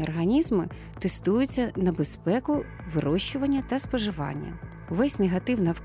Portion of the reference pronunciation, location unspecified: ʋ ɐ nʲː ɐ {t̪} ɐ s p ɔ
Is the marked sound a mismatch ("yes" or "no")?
no